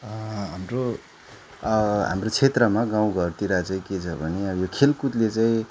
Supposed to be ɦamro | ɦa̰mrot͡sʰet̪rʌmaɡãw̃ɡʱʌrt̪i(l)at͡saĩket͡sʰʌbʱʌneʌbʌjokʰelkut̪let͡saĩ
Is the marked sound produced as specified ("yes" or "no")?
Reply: no